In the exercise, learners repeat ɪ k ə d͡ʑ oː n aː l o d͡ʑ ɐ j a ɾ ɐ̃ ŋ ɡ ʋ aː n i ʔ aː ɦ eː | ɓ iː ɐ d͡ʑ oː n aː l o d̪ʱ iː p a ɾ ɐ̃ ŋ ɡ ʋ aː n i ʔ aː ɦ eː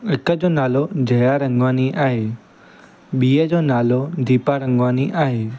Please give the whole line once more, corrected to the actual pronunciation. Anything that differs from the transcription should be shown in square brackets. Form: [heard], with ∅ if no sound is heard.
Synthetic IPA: ɪ k ə d͡ʑ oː n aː l o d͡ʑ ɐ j a ɾ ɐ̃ ŋ ɡ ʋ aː n i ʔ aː ɦ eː | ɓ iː [ə] d͡ʑ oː n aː l o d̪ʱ iː p a ɾ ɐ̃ ŋ ɡ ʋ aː n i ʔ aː ɦ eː